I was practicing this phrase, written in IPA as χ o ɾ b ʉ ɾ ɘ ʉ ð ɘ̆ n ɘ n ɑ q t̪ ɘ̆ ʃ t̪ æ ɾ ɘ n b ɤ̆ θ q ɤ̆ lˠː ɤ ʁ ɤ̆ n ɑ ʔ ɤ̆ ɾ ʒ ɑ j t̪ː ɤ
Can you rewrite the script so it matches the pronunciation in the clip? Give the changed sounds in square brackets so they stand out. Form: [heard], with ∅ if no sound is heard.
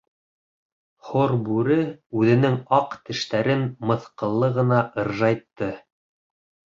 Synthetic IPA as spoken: χ o ɾ b ʉ ɾ ɘ ʉ ð ɘ̆ n ɘ [ŋ] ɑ q t̪ ɘ̆ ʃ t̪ æ ɾ ɘ n [m] ɤ̆ θ q ɤ̆ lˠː ɤ ʁ ɤ̆ n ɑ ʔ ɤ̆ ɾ ʒ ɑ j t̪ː ɤ